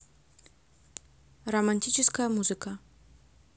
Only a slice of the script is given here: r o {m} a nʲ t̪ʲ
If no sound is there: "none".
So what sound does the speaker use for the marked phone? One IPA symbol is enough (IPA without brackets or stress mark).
m